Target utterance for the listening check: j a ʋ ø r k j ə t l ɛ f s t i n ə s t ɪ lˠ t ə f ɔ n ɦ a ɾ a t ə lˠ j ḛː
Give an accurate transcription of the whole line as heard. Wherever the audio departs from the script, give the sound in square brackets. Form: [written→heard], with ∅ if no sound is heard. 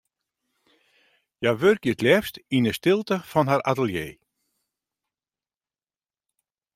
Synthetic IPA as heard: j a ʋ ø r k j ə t l ɛ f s t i n ə s t ɪ lˠ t ə f ɔ n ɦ a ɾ a t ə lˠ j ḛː